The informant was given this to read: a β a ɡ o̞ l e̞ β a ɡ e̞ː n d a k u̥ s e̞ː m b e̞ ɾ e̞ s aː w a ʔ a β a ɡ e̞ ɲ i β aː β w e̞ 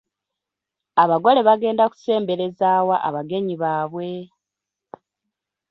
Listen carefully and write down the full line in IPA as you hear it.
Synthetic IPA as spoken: a β a ɡ o̞ l e̞ β a ɡ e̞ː n d a k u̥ s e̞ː m b e̞ ɾ e̞ z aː w a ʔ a β a ɡ e̞ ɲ i β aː β w e̞